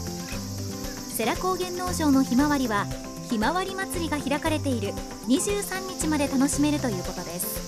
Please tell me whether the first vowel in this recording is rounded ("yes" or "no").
no